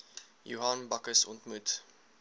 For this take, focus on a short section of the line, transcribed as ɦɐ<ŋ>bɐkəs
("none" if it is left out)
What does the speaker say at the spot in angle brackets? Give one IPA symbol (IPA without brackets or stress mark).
n